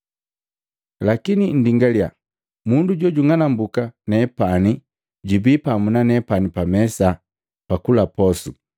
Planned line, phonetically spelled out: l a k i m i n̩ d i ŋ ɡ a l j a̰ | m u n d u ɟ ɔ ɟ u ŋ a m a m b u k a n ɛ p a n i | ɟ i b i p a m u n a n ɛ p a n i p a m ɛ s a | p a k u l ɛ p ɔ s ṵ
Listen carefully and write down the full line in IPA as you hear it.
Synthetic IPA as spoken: l a k i n i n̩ d i ŋ ɡ a l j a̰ | m u n d u ɟ ɔ ɟ u ŋ a n a m b u k a n ɛ p a n i | ɟ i b i p a m u n a n ɛ p a n i p a m ɛ s a | p a k u l a p ɔ s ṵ